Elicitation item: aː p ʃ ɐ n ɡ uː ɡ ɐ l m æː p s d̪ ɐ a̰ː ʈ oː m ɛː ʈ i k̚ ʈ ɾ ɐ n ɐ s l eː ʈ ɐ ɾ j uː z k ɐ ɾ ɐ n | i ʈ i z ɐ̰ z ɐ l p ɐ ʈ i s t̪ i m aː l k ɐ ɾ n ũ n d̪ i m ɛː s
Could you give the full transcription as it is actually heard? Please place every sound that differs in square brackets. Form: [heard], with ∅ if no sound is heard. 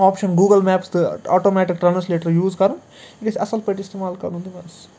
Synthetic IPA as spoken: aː p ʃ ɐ n ɡ uː ɡ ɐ l m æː p s d̪ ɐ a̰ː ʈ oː m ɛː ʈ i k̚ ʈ ɾ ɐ n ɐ s l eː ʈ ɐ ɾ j uː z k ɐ ɾ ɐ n | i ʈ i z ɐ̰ [s] ɐ l p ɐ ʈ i s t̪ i m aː l k ɐ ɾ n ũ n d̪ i m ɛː s